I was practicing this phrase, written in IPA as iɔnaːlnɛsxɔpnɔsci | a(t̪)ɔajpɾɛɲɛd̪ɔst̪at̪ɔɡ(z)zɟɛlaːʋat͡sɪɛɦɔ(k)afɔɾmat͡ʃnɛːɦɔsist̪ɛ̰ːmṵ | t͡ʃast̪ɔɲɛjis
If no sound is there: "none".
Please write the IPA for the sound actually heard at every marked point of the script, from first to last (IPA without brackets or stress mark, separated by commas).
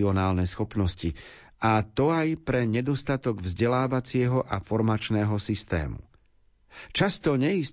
t̪, v, ʔ